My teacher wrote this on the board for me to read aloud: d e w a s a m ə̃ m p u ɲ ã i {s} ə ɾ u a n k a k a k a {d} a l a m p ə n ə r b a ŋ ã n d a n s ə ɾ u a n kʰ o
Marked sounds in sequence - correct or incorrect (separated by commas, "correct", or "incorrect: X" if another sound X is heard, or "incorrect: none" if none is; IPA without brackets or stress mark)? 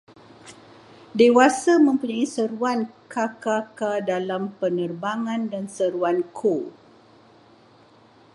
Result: correct, correct